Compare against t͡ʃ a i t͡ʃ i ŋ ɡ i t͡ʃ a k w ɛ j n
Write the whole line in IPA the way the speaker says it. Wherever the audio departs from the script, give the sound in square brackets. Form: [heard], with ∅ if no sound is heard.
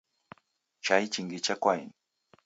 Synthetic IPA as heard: t͡ʃ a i t͡ʃ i ŋ ɡ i t͡ʃ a k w [a] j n